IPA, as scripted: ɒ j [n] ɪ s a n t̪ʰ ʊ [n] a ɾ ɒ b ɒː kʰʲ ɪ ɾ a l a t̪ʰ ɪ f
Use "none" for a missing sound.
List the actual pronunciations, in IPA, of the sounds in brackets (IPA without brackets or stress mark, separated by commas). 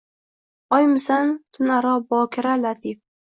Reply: m, n